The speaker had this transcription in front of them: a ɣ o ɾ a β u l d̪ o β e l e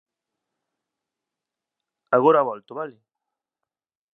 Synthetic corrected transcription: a ɣ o ɾ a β ɔ l t̪ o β a l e